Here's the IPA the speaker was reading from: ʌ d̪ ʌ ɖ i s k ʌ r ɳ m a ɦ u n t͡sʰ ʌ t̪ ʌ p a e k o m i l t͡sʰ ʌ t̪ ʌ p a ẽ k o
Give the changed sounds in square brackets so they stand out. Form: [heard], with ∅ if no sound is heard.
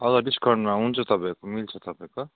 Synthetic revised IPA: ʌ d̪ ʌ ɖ i s k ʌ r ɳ m a ɦ u n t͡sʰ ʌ t̪ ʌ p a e k o m i l t͡sʰ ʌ t̪ ʌ p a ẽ k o